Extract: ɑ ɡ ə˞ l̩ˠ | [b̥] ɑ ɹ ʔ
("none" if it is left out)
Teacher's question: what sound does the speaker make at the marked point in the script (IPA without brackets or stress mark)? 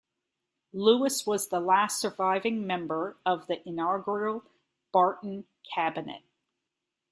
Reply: b̥